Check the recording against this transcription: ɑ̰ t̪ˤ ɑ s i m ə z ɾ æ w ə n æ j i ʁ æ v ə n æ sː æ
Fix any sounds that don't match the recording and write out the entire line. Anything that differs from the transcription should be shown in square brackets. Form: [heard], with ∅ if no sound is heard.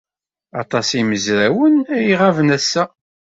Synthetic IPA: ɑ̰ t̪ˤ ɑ s i m ə z ɾ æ w ə n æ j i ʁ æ v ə n æ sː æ